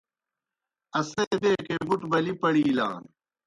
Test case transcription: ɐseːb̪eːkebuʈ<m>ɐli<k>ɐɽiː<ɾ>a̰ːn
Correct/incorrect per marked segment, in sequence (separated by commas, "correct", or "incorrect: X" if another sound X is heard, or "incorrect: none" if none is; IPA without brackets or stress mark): incorrect: b, incorrect: p, incorrect: l